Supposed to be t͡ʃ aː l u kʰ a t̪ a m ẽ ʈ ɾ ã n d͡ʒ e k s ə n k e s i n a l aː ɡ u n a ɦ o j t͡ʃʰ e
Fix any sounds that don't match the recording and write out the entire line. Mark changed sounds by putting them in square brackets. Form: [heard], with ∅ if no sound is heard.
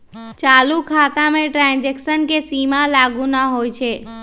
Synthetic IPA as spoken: t͡ʃ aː l u kʰ a t̪ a m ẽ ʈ ɾ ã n d͡ʒ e k s ə n k e s i [m] a l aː ɡ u n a ɦ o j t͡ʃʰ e